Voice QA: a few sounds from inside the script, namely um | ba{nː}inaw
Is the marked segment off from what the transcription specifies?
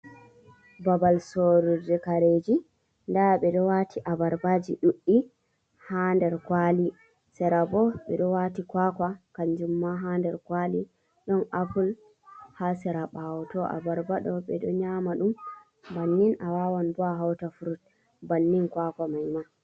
no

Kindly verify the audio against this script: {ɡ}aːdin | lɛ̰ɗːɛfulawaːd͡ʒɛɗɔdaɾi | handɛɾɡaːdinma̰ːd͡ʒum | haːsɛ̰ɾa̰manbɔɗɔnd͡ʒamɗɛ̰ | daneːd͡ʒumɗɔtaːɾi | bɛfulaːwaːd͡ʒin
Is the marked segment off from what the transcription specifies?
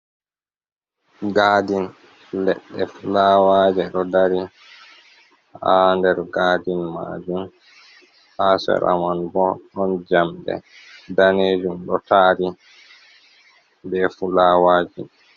no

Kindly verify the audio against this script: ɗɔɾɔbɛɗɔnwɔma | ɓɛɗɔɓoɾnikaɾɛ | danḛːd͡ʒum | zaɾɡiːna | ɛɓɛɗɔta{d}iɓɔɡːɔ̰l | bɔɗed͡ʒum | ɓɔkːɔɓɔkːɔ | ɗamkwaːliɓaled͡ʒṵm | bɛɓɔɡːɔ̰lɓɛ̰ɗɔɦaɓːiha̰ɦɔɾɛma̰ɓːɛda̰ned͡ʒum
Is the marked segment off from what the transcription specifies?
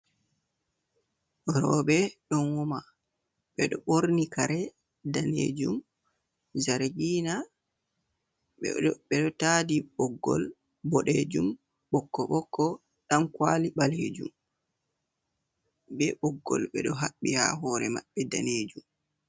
no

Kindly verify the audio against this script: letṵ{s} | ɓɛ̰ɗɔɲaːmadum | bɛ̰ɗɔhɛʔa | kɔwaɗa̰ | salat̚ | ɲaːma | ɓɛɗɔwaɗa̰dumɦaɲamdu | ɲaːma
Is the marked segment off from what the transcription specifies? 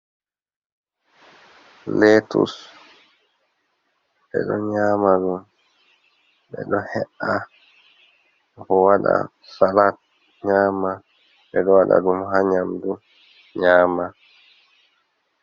no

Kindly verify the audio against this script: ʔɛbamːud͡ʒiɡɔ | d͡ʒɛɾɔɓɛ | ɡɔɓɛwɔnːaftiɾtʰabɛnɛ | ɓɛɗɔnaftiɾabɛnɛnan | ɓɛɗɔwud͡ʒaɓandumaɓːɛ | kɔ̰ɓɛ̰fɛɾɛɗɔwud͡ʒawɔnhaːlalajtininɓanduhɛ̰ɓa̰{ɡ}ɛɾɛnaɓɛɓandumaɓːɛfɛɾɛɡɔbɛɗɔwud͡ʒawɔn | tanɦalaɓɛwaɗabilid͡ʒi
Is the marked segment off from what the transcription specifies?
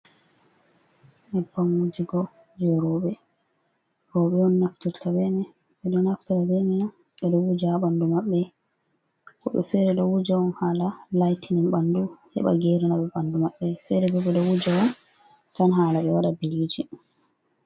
no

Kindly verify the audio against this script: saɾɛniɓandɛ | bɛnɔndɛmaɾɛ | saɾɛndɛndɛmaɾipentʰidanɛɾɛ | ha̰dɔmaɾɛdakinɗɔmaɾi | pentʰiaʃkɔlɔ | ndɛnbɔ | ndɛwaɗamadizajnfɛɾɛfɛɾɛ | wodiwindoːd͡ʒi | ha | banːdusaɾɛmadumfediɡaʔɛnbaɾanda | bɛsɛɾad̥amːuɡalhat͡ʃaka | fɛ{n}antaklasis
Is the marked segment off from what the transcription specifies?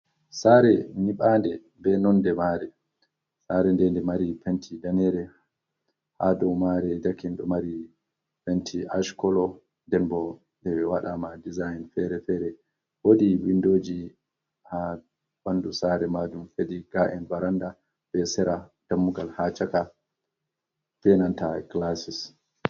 no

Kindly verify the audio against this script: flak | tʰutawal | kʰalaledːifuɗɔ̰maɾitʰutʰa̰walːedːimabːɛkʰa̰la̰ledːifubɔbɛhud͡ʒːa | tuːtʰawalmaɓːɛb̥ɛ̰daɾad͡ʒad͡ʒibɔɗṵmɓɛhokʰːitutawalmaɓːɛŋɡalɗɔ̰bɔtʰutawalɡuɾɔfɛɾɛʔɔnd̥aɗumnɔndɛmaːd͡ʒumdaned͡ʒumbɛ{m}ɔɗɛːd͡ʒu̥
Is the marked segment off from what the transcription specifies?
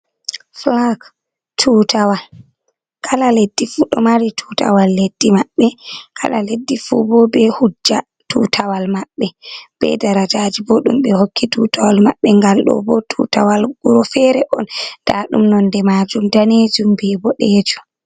yes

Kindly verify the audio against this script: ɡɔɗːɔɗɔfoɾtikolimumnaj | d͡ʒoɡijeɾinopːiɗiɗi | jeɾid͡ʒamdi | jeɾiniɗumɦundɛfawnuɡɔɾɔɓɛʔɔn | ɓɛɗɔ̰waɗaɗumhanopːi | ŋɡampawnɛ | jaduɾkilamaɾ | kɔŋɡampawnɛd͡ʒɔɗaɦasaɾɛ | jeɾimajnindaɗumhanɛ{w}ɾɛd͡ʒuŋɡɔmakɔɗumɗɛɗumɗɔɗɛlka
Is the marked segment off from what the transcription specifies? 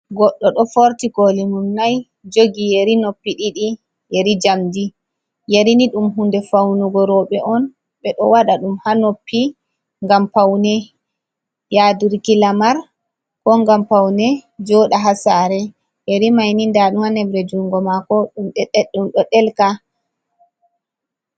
yes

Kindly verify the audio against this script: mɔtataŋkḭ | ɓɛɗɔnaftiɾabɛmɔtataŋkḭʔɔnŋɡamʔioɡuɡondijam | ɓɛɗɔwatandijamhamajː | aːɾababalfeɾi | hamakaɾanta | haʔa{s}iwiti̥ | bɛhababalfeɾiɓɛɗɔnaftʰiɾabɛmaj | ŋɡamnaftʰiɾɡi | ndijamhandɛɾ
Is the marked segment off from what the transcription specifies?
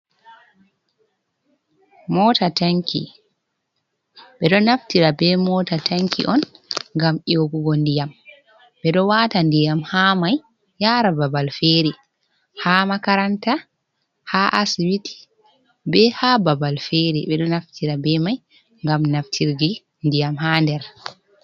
no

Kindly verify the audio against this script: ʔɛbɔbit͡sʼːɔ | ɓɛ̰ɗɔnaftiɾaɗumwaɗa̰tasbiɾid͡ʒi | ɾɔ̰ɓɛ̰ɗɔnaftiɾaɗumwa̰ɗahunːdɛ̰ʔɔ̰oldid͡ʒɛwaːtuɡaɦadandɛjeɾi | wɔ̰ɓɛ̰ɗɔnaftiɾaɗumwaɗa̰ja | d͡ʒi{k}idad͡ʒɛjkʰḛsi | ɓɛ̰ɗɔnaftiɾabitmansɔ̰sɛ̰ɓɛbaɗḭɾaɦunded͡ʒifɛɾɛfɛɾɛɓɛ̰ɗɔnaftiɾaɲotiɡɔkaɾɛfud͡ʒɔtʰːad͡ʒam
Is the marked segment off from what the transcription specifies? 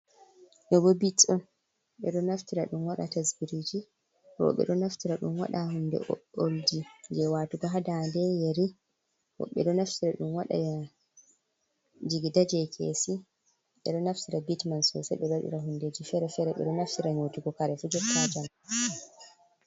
yes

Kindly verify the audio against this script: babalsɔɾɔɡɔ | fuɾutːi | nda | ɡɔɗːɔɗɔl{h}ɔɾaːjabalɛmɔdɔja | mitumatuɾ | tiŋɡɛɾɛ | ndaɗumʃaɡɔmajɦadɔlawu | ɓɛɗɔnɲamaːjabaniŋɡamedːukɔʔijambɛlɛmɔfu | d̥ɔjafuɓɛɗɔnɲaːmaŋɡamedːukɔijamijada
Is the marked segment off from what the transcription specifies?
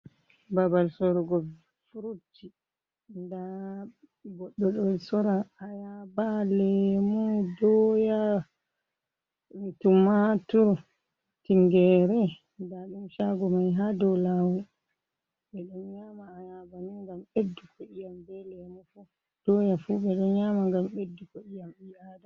yes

